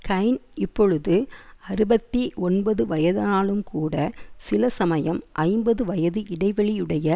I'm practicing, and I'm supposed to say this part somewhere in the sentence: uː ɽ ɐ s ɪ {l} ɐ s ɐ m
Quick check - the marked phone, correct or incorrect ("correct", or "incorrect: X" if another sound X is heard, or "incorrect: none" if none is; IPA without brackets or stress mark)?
correct